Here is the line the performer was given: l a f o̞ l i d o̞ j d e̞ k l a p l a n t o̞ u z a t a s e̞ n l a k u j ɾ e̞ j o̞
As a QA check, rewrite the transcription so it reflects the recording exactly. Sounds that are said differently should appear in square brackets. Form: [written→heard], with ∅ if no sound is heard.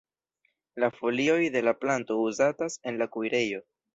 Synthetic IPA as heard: l a f o̞ l i [d→∅] o̞ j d e̞ [k→∅] l a p l a n t o̞ u z a t a s e̞ n l a k u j ɾ e̞ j o̞